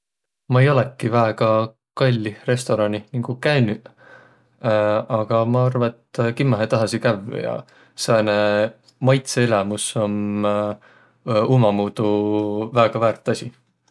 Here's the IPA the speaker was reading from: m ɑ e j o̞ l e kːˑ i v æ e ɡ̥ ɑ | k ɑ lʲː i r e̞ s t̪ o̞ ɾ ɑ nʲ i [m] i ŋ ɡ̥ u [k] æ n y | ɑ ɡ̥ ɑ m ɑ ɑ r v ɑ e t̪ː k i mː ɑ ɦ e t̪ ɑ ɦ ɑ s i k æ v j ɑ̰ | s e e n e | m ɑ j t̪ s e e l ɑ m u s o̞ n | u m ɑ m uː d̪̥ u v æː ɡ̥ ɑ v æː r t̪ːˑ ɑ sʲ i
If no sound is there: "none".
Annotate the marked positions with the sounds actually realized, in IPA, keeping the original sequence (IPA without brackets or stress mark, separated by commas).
n, k